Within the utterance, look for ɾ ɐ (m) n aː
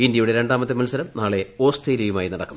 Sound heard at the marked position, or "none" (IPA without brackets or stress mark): m